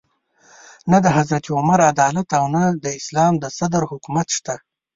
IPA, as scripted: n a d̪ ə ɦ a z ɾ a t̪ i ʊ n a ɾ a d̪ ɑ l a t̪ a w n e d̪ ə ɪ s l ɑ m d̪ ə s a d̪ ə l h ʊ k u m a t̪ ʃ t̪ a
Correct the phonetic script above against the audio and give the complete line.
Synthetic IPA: n a d̪ ə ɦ a z ɾ a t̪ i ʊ m a ɾ a d̪ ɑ l a t̪ a w n a d̪ ə ɪ s l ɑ m d̪ ə s a d̪ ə ɾ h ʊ k u m a t̪ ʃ t̪ a